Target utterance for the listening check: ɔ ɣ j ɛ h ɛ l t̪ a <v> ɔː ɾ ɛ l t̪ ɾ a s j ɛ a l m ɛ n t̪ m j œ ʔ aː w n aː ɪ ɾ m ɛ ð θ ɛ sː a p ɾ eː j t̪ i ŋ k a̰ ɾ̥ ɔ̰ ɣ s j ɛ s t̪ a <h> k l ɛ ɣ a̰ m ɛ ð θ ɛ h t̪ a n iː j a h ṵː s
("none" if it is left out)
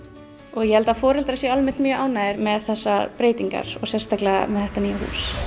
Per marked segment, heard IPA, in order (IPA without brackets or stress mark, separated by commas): f, none